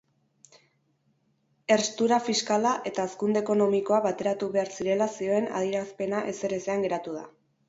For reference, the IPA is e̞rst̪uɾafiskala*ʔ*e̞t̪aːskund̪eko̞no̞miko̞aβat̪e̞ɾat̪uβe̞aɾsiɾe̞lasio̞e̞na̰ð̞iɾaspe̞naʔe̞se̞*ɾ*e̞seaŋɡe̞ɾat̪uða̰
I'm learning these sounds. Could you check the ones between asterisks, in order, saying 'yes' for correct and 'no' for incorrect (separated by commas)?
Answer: yes, yes